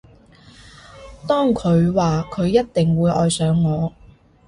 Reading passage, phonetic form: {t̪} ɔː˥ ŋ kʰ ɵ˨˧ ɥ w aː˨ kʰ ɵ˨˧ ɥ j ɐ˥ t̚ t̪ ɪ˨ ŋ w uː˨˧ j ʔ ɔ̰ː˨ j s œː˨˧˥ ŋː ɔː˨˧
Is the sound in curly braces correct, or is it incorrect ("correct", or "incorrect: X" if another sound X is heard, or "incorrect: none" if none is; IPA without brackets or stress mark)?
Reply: correct